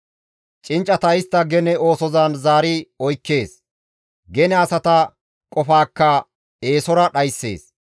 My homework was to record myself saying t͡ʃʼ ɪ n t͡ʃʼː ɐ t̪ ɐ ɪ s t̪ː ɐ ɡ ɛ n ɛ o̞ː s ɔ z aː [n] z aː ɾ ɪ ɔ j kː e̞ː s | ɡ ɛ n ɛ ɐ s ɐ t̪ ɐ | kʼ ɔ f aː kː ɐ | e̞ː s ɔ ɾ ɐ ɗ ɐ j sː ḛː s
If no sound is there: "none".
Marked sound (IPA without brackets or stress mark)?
n